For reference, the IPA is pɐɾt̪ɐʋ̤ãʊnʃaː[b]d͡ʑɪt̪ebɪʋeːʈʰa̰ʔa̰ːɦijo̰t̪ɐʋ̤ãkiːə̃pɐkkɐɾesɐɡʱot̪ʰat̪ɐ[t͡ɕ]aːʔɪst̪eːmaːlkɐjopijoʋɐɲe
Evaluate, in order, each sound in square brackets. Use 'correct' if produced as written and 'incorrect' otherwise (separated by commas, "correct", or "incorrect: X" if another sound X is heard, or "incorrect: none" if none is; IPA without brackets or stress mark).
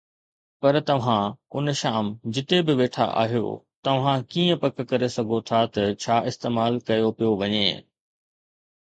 incorrect: m, incorrect: t͡ɕʰ